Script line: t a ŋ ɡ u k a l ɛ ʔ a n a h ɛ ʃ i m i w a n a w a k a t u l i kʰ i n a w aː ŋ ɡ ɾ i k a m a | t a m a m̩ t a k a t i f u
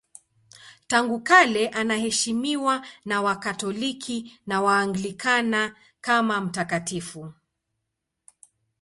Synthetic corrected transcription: t a ŋ ɡ u k a l ɛ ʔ a n a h ɛ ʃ i m i w a n a w a k a t ɔ l i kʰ i n a w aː ŋ ɡ l i k a n a | k a m a m̩ t a k a t i f u